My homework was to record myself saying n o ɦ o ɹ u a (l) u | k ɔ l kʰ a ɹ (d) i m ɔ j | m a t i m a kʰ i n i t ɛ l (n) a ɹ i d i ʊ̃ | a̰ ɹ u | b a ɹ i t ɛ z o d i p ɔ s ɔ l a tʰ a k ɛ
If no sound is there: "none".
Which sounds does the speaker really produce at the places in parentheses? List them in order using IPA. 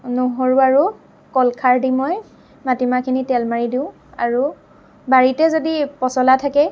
ɹ, d, m

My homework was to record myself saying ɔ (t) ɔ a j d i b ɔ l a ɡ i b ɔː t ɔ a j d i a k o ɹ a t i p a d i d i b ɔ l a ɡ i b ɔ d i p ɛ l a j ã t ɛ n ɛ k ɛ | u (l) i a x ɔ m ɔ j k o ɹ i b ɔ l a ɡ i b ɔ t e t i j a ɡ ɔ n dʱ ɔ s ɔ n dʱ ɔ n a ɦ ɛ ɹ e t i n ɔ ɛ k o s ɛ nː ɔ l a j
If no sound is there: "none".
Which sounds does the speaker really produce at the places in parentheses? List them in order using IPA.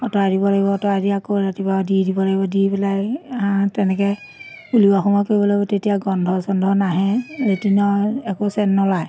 t, l

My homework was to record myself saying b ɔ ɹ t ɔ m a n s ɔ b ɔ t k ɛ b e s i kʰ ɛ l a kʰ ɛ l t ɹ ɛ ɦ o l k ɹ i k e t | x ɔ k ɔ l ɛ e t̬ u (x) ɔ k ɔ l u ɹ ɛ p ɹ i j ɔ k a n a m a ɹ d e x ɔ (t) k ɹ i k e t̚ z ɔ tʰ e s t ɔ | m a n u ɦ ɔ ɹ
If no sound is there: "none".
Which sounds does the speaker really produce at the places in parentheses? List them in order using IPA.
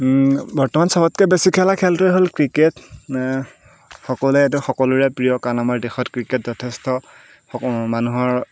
x, t

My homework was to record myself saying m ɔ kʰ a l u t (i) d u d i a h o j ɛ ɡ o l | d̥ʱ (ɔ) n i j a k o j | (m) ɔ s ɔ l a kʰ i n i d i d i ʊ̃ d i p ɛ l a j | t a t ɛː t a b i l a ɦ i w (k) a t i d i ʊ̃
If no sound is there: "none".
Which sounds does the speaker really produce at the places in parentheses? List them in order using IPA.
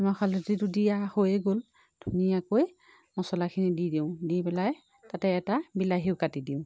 i, u, m, k

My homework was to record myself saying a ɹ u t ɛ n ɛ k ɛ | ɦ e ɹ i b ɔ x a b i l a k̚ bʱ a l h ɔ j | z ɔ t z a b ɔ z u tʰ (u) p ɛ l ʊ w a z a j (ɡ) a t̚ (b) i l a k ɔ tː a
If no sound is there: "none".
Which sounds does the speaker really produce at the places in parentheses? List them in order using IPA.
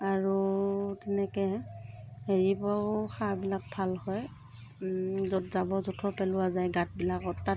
ɔ, ɡ, b

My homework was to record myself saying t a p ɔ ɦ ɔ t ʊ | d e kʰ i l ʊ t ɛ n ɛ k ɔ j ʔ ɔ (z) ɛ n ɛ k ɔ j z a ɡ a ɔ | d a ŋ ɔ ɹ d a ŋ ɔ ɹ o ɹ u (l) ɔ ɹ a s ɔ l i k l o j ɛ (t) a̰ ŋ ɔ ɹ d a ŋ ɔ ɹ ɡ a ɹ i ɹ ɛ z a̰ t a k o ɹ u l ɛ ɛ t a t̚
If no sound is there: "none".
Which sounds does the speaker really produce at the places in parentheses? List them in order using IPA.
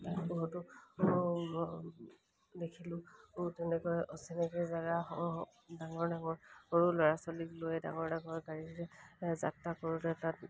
s, l, d

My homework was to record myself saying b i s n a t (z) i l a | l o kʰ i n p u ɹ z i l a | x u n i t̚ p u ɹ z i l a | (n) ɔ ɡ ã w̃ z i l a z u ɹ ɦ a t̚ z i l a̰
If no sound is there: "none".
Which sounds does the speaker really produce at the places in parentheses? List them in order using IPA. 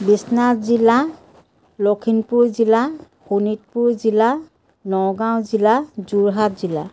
z, n

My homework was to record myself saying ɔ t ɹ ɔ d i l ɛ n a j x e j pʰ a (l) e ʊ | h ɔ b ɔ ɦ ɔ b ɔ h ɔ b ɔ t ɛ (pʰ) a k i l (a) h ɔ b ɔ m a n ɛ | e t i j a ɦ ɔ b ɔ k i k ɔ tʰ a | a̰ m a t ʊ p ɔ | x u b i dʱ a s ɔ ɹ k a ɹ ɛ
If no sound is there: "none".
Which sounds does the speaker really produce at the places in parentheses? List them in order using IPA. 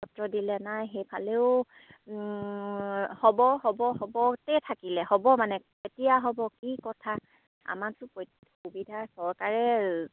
l, tʰ, ɛ

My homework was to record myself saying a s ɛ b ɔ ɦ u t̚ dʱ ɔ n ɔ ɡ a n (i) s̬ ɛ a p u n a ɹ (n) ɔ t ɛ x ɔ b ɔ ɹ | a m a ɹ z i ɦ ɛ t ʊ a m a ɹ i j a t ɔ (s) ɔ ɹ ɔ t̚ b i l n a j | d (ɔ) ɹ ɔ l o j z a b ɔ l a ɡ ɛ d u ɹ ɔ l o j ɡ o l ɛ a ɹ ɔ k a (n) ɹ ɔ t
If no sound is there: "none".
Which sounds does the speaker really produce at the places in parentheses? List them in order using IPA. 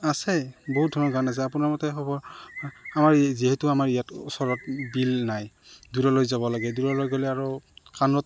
a, m, s, u, n

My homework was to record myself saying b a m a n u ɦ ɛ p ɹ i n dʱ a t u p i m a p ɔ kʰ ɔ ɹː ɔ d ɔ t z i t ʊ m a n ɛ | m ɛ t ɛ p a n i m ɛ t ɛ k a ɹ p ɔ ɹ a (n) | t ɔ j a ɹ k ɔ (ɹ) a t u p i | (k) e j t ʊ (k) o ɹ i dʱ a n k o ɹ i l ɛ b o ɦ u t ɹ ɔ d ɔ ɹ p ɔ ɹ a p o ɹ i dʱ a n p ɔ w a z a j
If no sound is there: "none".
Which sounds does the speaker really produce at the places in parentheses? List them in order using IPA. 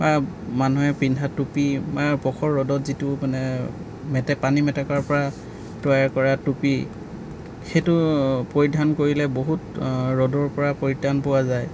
none, ɹ, x, p

